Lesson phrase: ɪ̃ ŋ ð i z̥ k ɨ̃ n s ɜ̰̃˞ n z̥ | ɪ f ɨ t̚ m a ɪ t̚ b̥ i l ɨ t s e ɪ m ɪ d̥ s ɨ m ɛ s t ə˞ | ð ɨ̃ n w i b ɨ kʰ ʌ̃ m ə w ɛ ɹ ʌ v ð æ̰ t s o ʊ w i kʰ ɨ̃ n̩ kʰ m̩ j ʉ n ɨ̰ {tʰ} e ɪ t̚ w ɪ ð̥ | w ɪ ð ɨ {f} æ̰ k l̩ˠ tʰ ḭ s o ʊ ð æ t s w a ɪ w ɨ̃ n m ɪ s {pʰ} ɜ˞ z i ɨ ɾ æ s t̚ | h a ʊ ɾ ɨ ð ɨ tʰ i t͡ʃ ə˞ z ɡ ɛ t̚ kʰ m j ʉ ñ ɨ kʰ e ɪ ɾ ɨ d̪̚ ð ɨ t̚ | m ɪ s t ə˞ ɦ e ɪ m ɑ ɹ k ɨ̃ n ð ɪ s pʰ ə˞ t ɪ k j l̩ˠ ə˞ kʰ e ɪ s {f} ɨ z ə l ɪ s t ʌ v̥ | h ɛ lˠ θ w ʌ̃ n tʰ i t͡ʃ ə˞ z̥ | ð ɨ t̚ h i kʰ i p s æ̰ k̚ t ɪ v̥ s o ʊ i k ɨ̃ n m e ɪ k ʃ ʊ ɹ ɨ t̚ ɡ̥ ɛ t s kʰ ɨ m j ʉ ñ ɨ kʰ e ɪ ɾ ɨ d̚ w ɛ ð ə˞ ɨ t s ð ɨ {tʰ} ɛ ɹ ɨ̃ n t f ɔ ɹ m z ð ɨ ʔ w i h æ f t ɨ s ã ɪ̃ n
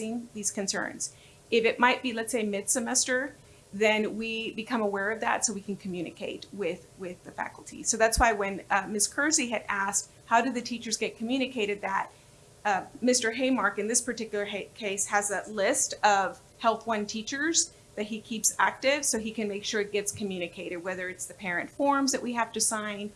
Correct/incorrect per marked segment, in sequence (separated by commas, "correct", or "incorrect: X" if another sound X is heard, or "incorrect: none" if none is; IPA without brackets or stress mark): incorrect: kʰ, correct, incorrect: kʰ, incorrect: h, incorrect: pʰ